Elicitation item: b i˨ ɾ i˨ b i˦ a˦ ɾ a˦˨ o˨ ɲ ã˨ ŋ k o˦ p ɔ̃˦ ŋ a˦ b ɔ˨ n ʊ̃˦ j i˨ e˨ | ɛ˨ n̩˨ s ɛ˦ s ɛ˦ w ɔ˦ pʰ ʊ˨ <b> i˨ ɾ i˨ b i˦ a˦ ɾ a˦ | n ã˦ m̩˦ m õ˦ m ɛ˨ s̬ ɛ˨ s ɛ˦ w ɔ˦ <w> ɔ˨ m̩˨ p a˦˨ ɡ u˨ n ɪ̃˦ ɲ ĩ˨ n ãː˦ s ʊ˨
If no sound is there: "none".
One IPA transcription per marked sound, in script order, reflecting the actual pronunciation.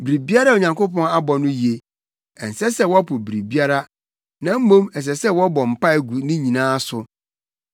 b, b

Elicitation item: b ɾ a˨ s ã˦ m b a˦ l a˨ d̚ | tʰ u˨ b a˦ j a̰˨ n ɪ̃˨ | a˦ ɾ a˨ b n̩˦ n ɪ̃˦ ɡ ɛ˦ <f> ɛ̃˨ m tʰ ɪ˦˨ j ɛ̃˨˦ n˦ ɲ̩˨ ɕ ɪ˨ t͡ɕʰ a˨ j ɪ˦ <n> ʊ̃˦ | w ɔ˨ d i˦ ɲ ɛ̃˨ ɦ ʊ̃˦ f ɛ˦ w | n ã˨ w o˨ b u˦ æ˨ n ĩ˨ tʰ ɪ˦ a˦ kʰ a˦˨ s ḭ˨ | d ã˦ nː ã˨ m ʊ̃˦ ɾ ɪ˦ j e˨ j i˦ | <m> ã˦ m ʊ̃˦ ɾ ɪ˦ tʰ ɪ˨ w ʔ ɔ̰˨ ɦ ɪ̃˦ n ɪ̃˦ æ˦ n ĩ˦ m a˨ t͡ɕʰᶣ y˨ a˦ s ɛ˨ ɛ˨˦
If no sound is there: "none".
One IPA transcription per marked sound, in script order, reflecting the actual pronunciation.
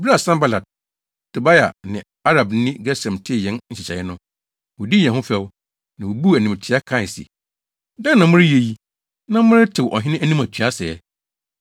s, n, n

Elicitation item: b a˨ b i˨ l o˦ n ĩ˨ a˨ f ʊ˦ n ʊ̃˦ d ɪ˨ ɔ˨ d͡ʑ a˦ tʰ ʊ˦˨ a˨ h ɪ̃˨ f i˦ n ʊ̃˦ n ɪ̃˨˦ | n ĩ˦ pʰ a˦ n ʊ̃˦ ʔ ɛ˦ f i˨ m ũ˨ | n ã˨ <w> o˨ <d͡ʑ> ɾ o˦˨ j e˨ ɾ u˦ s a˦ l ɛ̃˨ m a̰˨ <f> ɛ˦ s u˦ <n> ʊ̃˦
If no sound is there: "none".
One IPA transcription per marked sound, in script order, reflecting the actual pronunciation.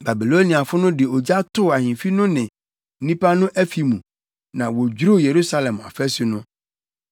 w, d͡ʑ, f, n

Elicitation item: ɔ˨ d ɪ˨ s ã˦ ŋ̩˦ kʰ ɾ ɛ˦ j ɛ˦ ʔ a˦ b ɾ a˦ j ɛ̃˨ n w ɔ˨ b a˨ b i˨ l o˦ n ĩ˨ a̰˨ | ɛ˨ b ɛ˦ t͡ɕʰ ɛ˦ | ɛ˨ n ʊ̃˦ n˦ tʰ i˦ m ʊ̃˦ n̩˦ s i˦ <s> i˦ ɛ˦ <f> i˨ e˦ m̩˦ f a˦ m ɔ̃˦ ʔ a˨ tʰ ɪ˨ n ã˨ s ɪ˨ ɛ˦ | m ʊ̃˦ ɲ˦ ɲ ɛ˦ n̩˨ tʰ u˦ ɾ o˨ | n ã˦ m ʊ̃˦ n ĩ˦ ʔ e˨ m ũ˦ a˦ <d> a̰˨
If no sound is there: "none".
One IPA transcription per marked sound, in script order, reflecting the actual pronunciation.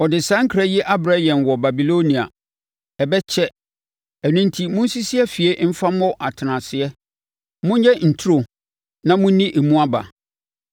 s, f, b

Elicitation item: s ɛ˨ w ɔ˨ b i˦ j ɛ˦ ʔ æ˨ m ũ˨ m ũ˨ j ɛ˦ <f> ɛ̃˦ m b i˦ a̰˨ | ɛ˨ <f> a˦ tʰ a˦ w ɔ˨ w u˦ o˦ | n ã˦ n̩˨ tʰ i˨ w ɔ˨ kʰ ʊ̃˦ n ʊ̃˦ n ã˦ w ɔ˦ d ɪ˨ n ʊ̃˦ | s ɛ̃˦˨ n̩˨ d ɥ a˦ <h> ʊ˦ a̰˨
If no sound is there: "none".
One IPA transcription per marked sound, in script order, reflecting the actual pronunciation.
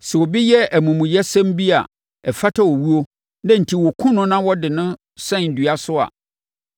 s, f, s

